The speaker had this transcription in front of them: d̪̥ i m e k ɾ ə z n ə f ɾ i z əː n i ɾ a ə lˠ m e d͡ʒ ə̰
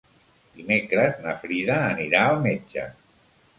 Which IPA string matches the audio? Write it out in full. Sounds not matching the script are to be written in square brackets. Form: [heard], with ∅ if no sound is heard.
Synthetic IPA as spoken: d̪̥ i m e k ɾ ə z n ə f ɾ i [ð] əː n i ɾ a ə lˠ m e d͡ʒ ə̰